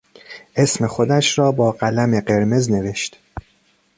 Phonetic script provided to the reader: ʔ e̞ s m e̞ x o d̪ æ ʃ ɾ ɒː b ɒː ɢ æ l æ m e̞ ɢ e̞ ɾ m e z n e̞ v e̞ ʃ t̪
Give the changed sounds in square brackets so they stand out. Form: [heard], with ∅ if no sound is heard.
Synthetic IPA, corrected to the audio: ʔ e̞ s m e̞ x o d̪ æ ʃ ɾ ɒː b ɒː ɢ æ l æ m e̞ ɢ e̞ ɾ m e z n e̞ v e̞ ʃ t̪